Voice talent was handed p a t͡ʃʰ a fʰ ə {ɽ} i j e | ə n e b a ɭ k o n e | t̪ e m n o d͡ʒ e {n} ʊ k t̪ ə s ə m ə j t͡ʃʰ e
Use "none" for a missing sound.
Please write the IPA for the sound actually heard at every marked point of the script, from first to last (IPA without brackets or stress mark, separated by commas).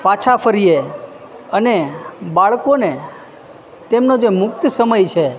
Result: ɾ, m